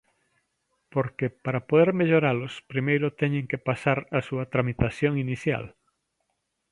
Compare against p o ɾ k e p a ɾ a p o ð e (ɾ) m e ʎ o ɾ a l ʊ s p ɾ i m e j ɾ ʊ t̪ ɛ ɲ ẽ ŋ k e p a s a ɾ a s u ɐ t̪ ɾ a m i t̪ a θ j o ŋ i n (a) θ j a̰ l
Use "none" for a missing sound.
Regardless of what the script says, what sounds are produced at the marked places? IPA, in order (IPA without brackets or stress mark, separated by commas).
ɾ, i